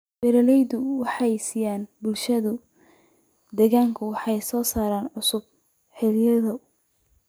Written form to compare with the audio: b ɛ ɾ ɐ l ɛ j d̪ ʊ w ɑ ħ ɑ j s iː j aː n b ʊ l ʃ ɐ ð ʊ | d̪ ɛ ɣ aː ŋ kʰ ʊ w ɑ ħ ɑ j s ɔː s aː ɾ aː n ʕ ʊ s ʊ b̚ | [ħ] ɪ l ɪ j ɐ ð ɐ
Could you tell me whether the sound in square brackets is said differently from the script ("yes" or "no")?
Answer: no